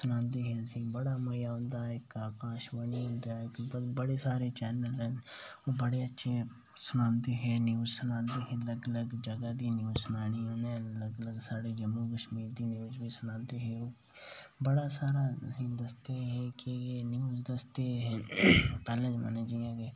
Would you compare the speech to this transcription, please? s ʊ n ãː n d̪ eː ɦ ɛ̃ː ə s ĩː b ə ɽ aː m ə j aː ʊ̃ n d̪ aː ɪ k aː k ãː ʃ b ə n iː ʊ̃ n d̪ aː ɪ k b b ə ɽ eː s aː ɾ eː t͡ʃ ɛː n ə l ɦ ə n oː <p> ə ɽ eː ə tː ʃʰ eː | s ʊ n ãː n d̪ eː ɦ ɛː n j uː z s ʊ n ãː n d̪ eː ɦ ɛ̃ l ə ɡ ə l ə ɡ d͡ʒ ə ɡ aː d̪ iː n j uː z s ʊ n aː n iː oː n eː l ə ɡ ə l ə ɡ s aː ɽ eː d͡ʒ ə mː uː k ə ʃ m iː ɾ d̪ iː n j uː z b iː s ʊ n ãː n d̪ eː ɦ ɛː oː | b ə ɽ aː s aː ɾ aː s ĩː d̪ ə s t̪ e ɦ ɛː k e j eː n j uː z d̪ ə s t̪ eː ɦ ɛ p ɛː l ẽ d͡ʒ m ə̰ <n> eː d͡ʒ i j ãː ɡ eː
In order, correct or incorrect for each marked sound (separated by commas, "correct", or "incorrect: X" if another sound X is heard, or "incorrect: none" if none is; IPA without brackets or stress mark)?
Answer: incorrect: b, correct